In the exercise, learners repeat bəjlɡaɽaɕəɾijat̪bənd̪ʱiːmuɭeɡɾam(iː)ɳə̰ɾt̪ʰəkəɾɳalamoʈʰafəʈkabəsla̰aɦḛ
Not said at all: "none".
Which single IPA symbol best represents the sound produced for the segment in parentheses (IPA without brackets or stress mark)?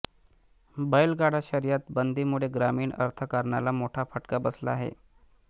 iː